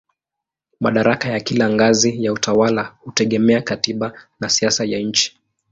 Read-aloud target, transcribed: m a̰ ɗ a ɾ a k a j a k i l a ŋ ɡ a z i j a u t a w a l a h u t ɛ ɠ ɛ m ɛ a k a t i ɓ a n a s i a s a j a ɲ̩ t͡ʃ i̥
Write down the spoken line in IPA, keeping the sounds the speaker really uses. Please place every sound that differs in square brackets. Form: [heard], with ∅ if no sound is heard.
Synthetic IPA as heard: m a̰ ɗ a ɾ a k a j a k i l a ŋ ɡ a z i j a u t a w a l a h u t ɛ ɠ ɛ m ɛ a k a t i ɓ a n a s i a s a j a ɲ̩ t͡ʃ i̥

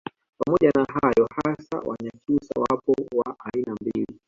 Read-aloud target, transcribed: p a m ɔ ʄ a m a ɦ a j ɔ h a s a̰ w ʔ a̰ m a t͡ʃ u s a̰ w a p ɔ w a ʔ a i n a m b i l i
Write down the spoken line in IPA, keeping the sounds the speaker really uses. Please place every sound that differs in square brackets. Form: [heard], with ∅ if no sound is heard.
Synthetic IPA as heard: p a m ɔ ʄ a [n] a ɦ a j ɔ h a s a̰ w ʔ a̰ [ɲ] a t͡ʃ u s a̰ w a p ɔ w a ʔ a i n a m b i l i

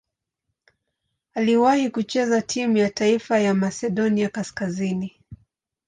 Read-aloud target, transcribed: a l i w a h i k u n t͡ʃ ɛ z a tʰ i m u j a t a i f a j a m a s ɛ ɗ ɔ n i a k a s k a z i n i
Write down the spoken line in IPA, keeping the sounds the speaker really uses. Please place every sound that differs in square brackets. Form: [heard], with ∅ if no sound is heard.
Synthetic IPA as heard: a l i w a h i k u [∅] t͡ʃ ɛ z a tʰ i m u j a t a i f a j a m a s ɛ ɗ ɔ n i a k a s k a z i n i

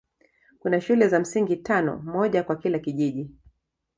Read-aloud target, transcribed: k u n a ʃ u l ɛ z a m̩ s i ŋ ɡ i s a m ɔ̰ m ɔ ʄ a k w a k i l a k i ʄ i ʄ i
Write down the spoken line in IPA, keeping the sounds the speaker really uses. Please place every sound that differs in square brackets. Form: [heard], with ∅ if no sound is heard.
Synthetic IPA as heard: k u n a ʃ u l ɛ z a m̩ s i ŋ ɡ i [t] a [n] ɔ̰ m ɔ ʄ a k w a k i l a k i ʄ i ʄ i

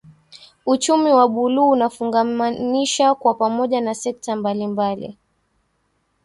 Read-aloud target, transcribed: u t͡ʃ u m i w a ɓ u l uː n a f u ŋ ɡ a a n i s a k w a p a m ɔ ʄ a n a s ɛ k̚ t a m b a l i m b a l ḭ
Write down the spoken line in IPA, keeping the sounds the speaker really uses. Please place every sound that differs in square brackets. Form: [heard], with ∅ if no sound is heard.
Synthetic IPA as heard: u t͡ʃ u m i w a ɓ u l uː n a f u ŋ ɡ a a n i [ʃ] a k w a p a m ɔ ʄ a n a s ɛ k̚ t a m b a l i m b a l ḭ

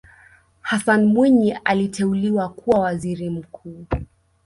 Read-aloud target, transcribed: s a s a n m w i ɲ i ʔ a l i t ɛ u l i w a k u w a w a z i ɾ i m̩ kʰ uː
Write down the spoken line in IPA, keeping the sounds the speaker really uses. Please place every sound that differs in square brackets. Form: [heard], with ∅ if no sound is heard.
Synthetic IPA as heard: [h] a s a n m w i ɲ i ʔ a l i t ɛ u l i w a k u w a w a z i ɾ i m̩ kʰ uː

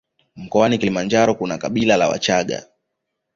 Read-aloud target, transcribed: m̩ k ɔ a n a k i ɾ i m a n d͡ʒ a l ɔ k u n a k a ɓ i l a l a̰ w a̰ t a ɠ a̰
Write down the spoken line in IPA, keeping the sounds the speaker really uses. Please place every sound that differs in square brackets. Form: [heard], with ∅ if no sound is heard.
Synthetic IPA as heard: m̩ k ɔ a n [i] k i [l] i m a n d͡ʒ a [ɾ] ɔ k u n a k a ɓ i l a l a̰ w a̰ [t͡ʃ] a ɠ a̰

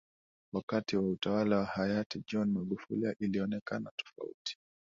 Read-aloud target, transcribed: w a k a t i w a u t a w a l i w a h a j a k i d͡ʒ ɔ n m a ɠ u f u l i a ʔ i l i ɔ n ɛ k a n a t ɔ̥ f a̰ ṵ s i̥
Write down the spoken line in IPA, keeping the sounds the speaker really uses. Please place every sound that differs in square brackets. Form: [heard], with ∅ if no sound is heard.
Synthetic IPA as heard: w a k a t i w a u t a w a l [a] w a h a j a [t] i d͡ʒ ɔ n m a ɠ u f u l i a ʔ i l i ɔ n ɛ k a n a t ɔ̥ f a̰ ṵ [t] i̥

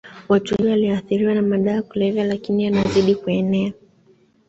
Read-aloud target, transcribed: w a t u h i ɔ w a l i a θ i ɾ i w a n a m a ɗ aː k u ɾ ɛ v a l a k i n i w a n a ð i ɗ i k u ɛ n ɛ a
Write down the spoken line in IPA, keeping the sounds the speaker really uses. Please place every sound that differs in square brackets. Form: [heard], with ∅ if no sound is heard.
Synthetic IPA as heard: w a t u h i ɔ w a l i a θ i ɾ i w a n a m a ɗ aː k u [l] ɛ v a l a k i n i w a n a [z] i ɗ i k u ɛ n ɛ a

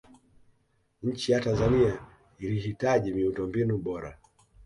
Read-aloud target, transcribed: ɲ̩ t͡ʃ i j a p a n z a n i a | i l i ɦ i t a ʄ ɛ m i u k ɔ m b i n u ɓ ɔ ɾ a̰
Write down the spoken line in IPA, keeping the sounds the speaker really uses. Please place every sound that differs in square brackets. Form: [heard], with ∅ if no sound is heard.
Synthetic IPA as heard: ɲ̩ t͡ʃ i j a [t] a n z a n i a | i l i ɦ i t a ʄ [i] m i u [t] ɔ m b i n u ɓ ɔ ɾ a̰

